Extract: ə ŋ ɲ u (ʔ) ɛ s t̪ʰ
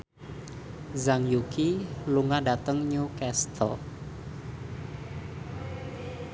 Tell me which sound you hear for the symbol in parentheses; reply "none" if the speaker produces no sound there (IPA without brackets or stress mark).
k